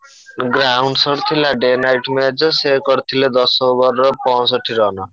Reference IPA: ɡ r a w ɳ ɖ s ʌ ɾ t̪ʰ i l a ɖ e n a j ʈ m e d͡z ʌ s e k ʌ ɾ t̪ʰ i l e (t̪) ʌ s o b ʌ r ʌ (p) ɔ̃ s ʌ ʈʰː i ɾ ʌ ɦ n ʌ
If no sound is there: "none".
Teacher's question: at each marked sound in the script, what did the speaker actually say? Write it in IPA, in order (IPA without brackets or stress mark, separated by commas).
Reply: d̪, p